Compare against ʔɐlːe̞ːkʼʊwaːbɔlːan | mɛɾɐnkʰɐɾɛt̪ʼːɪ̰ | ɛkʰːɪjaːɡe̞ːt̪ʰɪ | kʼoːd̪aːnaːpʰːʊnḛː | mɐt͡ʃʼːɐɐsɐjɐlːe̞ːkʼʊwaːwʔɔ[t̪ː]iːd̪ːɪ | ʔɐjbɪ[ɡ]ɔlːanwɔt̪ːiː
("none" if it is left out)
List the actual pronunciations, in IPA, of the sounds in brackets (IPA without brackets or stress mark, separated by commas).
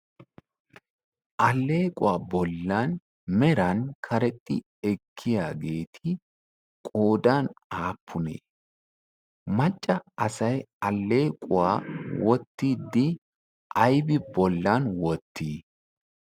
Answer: t̪ː, b